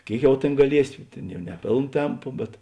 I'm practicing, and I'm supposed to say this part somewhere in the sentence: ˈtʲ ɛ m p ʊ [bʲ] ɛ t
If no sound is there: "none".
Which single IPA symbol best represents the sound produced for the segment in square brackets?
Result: bʲ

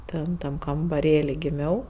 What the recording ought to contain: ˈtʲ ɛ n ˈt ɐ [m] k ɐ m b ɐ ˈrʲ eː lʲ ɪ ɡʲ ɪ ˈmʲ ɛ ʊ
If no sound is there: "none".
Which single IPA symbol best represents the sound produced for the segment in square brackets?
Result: m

